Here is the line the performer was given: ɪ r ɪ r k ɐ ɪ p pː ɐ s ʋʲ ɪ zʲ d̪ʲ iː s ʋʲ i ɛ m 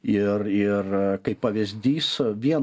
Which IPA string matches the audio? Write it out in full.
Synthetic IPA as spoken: ɪ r ɪ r k ɐ ɪ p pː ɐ ʋʲ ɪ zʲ d̪ʲ iː s ʋʲ i ɛ n

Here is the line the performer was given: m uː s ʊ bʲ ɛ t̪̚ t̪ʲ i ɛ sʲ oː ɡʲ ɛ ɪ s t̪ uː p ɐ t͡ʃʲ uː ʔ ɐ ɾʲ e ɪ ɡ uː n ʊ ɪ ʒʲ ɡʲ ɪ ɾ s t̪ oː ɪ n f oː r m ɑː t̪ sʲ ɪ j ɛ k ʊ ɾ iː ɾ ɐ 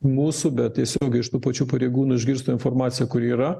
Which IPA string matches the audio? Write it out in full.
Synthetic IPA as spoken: m uː s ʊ bʲ ɛ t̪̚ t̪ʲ i ɛ sʲ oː ɡʲ ɛ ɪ ʃ t̪ uː p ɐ t͡ʃʲ uː p ɐ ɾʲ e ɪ ɡ uː n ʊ ɪ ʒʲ ɡʲ ɪ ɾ s t̪ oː ɪ n f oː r m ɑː t̪ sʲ ɪ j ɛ k ʊ ɾ iː ɾ ɐ

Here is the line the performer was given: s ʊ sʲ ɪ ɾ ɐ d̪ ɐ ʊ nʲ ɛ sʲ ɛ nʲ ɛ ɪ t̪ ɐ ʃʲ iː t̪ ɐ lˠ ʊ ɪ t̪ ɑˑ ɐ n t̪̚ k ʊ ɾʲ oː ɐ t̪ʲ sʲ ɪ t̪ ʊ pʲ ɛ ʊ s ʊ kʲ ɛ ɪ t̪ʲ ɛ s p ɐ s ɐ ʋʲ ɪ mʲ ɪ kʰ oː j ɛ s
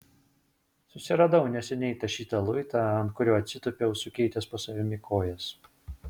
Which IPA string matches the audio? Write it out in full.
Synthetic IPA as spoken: s ʊ sʲ ɪ ɾ ɐ d̪ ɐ ʊ nʲ ɛ sʲ ɛ nʲ ɛ ɪ t̪ ɐ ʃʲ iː t̪ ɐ lˠ ʊ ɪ t̪ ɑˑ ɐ n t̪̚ k ʊ ɾʲ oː ɐ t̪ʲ sʲ ɪ t̪ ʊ pʲ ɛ ʊ s ʊ kʲ ɛ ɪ t̪ʲ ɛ s p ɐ s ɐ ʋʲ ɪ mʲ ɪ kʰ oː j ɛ s

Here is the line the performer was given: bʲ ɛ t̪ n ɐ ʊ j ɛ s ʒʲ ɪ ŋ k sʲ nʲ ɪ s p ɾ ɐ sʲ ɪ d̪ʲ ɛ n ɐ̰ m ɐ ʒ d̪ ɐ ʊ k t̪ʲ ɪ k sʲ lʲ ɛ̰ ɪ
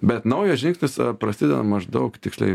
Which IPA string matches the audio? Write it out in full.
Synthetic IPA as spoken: bʲ ɛ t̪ n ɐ ʊ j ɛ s ʒʲ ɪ ŋ k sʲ nʲ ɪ s p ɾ ɐ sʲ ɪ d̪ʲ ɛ n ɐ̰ m ɐ ʒ d̪ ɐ ʊ k t̪ʲ ɪ k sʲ lʲ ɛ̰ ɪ

